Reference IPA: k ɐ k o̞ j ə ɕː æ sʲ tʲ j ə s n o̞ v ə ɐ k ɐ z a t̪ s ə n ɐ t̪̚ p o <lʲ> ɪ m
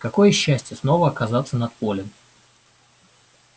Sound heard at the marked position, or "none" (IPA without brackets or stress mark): lʲ